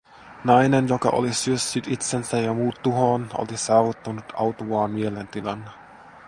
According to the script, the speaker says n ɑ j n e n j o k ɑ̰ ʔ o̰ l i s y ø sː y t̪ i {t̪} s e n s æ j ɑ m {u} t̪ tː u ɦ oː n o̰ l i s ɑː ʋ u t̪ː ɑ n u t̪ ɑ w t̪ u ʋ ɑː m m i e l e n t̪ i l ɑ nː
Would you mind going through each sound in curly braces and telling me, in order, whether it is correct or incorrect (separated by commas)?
correct, incorrect